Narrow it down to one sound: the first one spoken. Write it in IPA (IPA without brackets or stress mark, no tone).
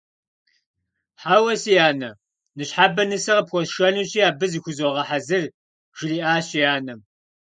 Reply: ħ